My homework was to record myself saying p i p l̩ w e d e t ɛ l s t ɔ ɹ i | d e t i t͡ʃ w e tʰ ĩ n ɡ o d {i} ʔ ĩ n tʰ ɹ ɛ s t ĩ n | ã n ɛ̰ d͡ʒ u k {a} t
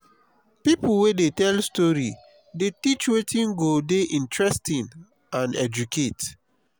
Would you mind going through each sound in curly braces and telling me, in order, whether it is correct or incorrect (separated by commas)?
incorrect, incorrect